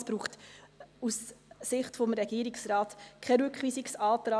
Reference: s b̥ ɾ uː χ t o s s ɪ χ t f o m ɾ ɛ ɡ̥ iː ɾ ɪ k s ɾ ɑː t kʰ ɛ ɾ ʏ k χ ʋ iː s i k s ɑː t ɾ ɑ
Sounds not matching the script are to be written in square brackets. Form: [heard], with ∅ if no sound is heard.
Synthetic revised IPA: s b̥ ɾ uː χ t [u] s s ɪ χ t f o m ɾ ɛ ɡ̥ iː ɾ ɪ k s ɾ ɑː t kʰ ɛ ɾ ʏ k χ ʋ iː s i k s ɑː t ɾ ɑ